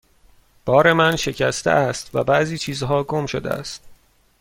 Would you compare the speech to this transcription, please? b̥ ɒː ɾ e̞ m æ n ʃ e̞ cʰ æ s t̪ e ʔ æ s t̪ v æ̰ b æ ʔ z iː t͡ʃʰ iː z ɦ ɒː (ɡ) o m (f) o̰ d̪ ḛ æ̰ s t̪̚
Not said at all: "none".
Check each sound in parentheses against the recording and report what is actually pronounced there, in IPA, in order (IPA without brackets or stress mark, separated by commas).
ɡ, ʃ